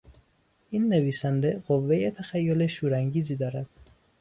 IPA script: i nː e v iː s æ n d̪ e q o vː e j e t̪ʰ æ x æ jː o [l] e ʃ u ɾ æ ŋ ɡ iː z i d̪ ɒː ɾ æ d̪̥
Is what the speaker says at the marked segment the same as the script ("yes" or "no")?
yes